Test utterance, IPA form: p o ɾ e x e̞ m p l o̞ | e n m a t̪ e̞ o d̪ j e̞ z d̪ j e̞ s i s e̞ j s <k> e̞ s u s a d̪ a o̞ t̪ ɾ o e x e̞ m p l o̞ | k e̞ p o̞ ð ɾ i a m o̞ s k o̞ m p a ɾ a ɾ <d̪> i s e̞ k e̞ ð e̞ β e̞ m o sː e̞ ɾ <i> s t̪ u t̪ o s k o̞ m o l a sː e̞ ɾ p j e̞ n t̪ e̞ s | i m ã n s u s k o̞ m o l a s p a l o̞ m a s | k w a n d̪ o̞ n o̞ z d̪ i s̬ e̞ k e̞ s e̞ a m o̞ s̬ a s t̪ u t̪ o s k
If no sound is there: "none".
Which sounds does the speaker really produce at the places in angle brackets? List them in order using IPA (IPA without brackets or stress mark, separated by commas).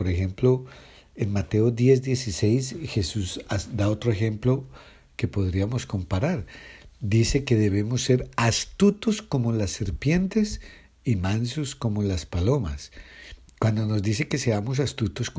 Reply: x, d̪, a